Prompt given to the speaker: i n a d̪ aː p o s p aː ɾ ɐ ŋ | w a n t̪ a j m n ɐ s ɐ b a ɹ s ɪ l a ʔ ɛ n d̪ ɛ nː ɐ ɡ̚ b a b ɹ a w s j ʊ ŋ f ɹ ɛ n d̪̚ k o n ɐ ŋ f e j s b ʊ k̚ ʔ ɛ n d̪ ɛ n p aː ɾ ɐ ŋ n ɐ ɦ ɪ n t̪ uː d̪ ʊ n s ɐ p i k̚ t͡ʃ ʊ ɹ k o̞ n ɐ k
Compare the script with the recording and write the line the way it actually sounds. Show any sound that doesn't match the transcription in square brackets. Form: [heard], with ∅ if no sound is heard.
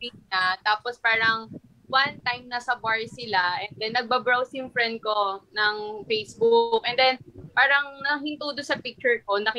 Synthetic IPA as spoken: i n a [t̪] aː p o s p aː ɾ ɐ ŋ | w a n t̪ a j m n ɐ s ɐ b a ɹ s ɪ l a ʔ ɛ n d̪ ɛ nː ɐ ɡ̚ b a b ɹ a w s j ʊ ŋ f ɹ ɛ n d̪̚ k o n ɐ ŋ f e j s b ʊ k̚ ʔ ɛ n d̪ ɛ n p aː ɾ ɐ ŋ n ɐ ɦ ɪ n t̪ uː d̪ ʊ n s ɐ p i k̚ t͡ʃ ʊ ɹ k o̞ n ɐ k